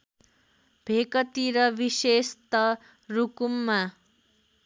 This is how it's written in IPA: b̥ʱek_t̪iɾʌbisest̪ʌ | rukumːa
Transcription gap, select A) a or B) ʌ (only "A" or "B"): B